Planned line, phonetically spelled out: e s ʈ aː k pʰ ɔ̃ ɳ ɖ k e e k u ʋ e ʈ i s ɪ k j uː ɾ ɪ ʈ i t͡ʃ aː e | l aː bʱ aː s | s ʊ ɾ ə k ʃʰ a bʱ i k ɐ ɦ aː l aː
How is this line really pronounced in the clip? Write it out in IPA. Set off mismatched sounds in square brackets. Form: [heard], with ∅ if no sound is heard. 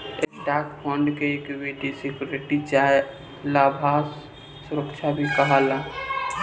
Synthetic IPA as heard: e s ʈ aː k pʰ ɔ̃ ɳ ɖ k e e k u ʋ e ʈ i s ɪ k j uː ɾ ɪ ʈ i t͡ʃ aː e | l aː bʱ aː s | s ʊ ɾ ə k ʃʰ a bʱ i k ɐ ɦ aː l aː